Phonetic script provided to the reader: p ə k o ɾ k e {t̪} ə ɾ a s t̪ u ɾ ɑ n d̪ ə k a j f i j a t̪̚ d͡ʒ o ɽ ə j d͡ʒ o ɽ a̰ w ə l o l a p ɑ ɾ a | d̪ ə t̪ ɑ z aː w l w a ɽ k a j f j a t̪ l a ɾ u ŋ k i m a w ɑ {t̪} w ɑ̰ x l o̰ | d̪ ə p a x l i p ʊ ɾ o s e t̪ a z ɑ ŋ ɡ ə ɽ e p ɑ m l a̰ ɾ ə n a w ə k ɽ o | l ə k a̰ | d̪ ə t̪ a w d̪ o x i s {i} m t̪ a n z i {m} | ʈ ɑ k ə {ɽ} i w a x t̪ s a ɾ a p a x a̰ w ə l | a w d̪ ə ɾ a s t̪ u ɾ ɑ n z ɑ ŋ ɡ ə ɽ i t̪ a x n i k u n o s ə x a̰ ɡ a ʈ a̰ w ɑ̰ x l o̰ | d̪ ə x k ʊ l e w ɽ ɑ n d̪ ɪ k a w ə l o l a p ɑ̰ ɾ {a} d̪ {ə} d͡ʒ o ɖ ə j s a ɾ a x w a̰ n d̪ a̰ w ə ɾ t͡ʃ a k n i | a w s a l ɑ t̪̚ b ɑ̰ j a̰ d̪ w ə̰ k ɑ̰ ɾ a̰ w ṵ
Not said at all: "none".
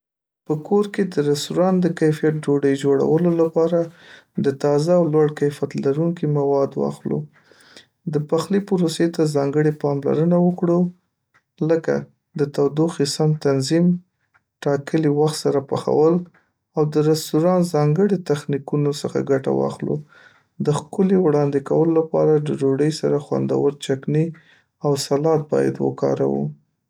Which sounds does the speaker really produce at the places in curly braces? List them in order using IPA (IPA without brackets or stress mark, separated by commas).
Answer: d̪, d̪, a, m, l, a, ə